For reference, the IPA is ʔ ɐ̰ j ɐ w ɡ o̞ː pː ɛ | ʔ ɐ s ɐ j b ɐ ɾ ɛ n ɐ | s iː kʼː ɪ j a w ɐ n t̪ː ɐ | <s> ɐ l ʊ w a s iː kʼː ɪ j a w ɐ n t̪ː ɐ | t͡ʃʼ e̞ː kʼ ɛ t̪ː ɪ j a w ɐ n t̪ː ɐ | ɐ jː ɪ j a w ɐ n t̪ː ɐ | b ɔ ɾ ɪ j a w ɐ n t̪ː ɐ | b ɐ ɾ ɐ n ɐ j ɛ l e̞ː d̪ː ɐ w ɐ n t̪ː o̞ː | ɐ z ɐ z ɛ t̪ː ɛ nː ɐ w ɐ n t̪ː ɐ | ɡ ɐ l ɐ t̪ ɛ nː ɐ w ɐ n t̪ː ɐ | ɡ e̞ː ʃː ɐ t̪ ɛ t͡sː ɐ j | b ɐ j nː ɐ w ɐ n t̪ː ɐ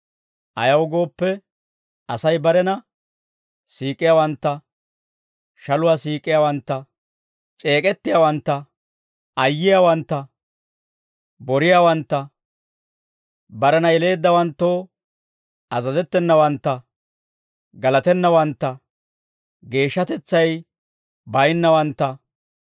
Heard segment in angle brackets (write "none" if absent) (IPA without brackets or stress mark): ʃ